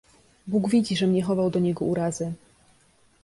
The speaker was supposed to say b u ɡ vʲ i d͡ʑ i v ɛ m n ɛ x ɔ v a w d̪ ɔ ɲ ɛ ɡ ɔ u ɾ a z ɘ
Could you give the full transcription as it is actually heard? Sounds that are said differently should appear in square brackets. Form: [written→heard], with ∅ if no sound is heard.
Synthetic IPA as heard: b u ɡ vʲ i d͡ʑ i [v→ʐ] ɛ m [n→ɲ] ɛ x ɔ v a w d̪ ɔ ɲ ɛ ɡ ɔ u ɾ a z ɘ